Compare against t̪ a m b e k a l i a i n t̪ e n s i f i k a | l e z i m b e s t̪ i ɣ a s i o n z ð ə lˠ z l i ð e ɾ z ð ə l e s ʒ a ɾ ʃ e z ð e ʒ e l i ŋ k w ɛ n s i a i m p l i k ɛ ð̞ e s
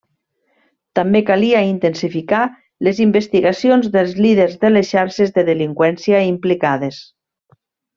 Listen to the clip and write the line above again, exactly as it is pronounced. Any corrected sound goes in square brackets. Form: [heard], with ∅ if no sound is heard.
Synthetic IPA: t̪ a m b e k a l i a i n t̪ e n s i f i k a | l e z i m b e s t̪ i ɣ a s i o n z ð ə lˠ z l i ð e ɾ z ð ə l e s [ʃ] a ɾ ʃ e z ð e [ð] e l i ŋ k w ɛ n s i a i m p l i k [a] ð̞ e s